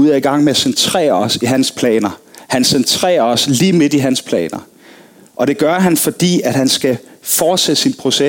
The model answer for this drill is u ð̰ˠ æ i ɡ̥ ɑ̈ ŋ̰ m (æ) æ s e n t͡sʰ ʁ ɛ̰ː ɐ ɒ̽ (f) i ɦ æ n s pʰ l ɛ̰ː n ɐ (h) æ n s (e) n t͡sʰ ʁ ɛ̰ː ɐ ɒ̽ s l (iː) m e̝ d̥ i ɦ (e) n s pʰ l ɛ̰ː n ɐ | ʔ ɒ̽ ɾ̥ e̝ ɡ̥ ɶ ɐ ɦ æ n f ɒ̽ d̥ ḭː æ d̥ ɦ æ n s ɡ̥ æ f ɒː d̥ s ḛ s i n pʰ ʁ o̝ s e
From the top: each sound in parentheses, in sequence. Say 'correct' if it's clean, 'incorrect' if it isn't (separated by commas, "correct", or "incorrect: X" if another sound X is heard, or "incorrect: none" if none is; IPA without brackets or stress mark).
incorrect: e, incorrect: s, correct, correct, correct, incorrect: æ